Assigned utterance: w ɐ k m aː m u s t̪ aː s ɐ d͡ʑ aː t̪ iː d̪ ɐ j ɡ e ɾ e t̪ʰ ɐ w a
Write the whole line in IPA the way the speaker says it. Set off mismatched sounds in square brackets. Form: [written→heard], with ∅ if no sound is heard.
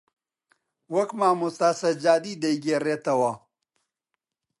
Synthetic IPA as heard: w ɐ k m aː m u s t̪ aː s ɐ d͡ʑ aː [t̪→d̪] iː d̪ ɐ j ɡ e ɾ e [t̪ʰ→t̪] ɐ w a